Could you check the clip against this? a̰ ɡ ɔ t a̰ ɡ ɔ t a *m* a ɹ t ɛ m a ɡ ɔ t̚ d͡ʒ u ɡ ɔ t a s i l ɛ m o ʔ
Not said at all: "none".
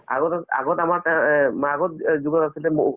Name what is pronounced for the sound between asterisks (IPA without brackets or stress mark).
m